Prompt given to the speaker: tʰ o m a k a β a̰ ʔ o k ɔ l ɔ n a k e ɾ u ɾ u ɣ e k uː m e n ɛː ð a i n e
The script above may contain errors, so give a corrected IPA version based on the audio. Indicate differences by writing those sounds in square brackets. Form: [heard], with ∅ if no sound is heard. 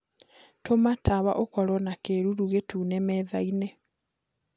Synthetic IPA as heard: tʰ o m a [t] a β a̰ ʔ o k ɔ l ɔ n a k e ɾ u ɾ u ɣ e [t] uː [n] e [m] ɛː ð a i n e